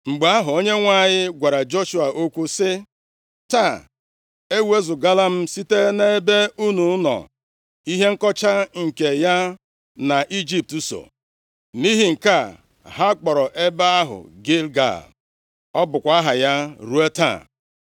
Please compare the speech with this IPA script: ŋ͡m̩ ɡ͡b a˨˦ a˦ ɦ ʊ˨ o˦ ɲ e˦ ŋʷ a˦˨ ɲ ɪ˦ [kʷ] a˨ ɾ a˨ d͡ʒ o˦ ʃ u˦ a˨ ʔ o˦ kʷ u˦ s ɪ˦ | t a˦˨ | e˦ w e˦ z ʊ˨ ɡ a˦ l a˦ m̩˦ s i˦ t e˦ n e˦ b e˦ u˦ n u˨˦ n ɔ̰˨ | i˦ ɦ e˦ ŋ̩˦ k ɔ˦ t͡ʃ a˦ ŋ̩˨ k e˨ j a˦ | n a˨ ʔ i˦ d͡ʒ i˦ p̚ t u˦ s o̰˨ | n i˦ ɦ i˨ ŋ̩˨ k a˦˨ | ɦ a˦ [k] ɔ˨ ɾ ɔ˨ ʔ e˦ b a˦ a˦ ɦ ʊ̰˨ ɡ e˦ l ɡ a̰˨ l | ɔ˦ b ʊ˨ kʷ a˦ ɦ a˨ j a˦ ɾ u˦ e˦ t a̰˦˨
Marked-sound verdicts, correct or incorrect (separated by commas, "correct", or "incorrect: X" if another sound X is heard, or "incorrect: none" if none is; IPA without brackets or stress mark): incorrect: ɡʷ, incorrect: k͡p